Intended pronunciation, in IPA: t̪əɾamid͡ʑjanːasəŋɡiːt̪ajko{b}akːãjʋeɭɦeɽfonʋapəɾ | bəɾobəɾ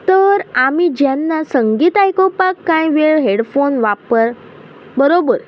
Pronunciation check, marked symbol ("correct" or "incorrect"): incorrect